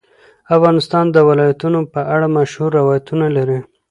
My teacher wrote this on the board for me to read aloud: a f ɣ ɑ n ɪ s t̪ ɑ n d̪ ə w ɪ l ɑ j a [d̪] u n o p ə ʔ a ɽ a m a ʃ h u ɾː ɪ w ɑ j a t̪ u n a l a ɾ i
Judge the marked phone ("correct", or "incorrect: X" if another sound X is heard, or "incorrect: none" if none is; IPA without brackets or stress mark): incorrect: t̪